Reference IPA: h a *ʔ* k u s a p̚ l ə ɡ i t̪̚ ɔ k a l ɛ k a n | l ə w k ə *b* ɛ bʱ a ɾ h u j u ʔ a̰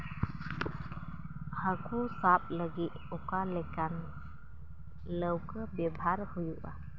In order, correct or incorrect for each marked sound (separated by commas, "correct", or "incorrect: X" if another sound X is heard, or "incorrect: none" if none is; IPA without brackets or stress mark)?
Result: incorrect: none, correct